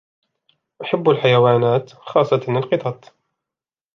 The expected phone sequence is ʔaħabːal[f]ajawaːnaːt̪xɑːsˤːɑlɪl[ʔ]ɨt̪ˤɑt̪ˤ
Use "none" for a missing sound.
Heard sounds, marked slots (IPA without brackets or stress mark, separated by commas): ħ, q